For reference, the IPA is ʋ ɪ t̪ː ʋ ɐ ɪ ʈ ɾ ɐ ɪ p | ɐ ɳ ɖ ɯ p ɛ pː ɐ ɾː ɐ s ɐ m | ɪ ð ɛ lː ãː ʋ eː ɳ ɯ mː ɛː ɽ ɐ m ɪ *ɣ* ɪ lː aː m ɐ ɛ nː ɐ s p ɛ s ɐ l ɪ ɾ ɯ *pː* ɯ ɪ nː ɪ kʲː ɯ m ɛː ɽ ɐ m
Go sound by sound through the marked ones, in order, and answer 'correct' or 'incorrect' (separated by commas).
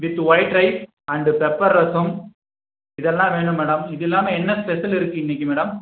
incorrect, incorrect